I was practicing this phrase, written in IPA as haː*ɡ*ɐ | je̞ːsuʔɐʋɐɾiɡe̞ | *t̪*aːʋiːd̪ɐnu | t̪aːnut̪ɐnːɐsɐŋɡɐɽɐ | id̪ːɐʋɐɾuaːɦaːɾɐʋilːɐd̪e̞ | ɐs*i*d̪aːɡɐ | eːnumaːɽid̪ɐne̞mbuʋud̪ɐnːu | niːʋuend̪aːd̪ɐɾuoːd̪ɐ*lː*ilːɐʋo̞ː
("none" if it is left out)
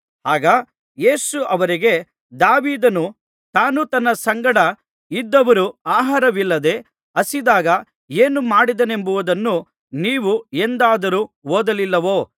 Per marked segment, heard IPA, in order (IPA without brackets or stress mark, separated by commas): ɡ, d̪, i, l